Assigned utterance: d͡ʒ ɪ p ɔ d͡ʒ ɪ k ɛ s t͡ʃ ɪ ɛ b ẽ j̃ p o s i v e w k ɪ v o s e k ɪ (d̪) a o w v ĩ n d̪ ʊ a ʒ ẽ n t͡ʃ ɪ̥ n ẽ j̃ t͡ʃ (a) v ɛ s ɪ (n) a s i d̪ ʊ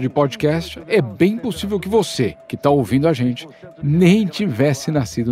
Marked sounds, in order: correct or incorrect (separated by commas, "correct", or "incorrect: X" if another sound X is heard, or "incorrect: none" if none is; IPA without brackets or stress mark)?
incorrect: t̪, incorrect: i, correct